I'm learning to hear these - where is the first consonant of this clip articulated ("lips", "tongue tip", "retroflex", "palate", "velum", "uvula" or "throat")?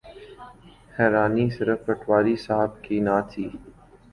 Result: throat